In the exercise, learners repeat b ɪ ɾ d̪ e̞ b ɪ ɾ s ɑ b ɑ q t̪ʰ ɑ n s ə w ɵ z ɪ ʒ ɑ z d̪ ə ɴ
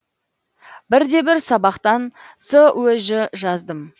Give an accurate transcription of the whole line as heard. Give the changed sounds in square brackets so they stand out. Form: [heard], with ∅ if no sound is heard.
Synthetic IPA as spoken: b ɪ ɾ d̪ e̞ b ɪ ɾ s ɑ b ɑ q [t̪] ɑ n s ə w ɵ [ʒ] ɪ ʒ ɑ z d̪ ə [m]